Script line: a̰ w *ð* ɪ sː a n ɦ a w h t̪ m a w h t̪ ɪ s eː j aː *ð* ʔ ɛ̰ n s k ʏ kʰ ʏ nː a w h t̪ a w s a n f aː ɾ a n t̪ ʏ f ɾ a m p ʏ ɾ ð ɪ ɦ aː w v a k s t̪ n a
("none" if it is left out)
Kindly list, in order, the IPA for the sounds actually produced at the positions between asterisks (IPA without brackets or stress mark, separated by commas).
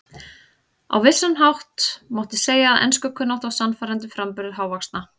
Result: v, ð